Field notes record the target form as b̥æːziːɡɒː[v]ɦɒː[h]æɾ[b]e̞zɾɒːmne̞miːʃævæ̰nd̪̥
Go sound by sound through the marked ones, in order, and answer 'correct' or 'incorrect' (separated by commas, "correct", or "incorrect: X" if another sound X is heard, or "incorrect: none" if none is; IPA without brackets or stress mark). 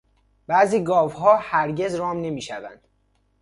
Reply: correct, correct, incorrect: ɟ